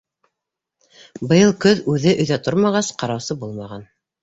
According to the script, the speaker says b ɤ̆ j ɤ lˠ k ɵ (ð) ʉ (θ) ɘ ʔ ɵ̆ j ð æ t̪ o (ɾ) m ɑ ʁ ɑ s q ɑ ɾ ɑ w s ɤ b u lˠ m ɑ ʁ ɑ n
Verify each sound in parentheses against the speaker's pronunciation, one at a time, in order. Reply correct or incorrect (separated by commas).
correct, incorrect, correct